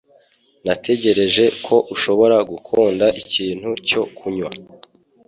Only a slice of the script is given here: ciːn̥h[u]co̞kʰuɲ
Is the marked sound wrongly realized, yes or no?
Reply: no